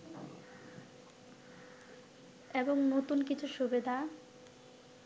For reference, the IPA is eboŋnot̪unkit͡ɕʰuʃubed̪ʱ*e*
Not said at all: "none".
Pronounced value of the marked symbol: a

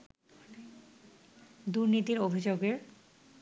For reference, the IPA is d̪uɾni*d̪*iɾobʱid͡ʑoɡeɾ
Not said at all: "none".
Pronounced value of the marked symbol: t̪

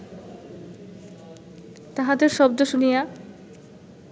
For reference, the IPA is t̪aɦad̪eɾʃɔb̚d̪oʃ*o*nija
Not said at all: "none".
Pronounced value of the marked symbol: u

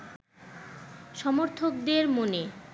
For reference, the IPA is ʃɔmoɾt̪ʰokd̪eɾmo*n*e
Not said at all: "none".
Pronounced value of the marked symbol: n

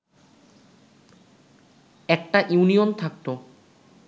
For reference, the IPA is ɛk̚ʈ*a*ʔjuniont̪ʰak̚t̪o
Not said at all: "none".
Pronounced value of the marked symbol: a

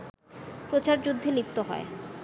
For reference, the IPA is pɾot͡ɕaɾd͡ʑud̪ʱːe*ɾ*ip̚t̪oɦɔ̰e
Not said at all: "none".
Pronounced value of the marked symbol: l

